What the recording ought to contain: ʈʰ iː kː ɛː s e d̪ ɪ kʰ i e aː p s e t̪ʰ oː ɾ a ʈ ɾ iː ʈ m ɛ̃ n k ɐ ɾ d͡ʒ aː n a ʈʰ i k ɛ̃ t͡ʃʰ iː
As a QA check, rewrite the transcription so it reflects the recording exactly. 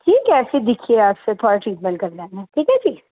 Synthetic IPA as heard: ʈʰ iː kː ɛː s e d̪ ɪ kʰ i e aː p s e t̪ʰ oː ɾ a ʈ ɾ iː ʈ m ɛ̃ n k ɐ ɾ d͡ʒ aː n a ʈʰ iː k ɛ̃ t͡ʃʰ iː